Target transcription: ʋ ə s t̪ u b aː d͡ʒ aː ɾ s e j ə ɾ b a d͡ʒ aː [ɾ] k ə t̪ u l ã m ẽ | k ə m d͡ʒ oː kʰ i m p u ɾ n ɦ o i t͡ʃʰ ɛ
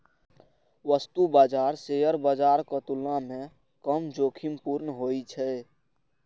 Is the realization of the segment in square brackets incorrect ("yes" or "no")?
no